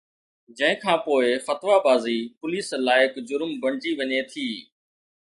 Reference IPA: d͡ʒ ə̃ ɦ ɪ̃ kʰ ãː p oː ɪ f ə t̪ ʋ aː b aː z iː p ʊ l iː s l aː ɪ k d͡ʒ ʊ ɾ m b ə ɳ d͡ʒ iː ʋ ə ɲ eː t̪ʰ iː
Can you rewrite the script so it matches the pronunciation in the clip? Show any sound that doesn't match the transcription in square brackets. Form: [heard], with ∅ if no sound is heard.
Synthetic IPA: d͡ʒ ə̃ ɦ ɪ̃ kʰ ãː p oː ɪ f ə t̪ ʋ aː b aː z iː p ʊ l iː s l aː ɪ k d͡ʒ ʊ ɾ m b ə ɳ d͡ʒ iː ʋ ə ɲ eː t̪ʰ iː